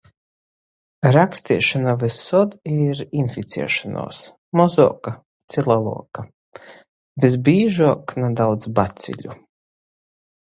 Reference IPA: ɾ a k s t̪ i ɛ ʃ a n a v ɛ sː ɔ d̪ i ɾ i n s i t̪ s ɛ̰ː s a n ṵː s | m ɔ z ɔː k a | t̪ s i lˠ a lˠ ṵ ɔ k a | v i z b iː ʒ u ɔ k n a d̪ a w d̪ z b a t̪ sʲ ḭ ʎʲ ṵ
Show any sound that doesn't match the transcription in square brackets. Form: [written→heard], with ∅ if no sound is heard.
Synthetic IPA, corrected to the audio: ɾ a k s t̪ i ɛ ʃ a n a v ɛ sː ɔ d̪ i ɾ i n [s→f] i t̪ s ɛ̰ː [s→ʃ] a n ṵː s | m ɔ z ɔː k a | t̪ s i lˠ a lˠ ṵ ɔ k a | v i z b iː ʒ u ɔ k n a d̪ a w d̪ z b a t̪ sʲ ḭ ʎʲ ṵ